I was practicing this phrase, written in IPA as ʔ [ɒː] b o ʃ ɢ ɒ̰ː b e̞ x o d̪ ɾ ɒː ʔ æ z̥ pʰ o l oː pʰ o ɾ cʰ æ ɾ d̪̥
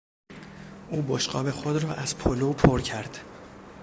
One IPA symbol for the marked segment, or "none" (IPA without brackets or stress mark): uː